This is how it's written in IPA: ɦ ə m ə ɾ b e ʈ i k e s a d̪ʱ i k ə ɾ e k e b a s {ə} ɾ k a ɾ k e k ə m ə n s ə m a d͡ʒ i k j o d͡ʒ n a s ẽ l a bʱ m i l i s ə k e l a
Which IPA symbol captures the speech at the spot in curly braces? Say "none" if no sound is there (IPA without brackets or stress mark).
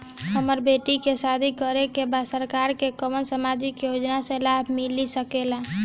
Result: ə